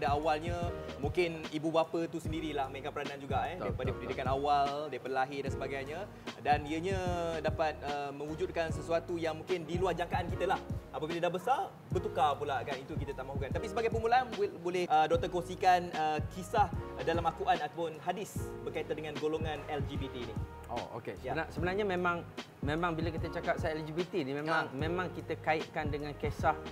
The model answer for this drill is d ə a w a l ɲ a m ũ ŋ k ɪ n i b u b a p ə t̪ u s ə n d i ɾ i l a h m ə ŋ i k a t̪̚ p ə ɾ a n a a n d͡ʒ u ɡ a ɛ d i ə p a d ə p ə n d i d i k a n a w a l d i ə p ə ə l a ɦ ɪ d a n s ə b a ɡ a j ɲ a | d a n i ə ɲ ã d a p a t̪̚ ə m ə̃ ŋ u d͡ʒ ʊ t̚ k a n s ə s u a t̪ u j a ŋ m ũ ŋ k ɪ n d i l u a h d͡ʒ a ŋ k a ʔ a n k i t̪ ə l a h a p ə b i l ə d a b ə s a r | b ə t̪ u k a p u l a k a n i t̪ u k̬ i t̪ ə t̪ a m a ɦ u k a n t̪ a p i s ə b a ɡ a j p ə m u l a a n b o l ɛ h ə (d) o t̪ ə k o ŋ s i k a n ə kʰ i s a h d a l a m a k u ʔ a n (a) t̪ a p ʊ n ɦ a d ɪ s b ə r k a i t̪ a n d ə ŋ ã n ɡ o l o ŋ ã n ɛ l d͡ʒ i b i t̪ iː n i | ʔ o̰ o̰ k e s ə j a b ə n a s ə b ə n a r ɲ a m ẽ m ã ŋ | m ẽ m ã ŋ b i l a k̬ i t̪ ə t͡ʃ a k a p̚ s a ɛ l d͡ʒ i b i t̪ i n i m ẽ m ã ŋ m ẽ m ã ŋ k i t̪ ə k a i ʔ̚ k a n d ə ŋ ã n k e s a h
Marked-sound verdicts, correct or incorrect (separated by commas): correct, correct